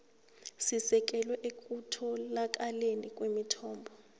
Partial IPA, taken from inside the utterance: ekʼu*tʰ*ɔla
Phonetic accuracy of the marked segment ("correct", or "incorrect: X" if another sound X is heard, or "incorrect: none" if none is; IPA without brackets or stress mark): correct